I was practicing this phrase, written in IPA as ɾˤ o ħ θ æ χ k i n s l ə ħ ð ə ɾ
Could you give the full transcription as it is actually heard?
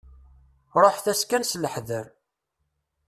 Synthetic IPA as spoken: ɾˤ o ħ θ æ s k æ n s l ə ħ ð ə ɾ